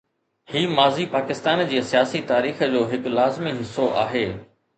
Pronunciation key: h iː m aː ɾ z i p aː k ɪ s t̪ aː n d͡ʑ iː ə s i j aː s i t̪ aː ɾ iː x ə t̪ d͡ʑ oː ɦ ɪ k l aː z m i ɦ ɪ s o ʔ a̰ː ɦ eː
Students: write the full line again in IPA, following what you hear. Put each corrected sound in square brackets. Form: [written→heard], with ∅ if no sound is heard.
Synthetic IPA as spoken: h iː m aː [ɾ→∅] z i p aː k ɪ s t̪ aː n d͡ʑ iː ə s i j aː s i t̪ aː ɾ iː x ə [t̪→∅] d͡ʑ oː ɦ ɪ k l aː z m i ɦ ɪ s o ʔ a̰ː ɦ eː